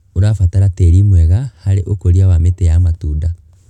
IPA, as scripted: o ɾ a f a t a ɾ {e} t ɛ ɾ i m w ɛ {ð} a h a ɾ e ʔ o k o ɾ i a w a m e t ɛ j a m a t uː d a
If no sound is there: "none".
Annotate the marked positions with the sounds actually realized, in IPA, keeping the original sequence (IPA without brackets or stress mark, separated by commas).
a, ɣ